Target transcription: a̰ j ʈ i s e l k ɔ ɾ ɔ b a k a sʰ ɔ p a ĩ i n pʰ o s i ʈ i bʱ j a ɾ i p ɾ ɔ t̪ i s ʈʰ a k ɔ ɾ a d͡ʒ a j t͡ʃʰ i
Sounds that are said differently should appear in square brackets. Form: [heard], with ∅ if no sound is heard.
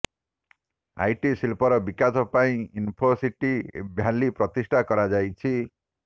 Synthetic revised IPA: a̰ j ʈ i s [i] l [p] ɔ ɾ ɔ b [i] k a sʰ ɔ p a ĩ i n pʰ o s i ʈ i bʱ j a [l] i p ɾ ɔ t̪ i s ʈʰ a k ɔ ɾ a d͡ʒ a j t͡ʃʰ i